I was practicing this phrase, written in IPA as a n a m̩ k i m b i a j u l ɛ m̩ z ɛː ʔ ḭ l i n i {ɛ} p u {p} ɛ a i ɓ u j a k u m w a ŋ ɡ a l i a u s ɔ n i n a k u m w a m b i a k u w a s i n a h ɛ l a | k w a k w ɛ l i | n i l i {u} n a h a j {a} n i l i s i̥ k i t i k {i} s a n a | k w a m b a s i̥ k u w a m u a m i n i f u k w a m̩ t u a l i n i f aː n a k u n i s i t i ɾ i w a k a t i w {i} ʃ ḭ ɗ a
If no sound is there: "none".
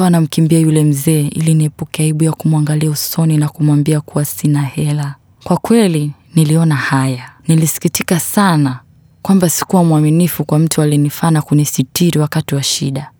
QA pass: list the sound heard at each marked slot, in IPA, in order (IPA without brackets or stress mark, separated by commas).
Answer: ɛ, k, ɔ, a, a, a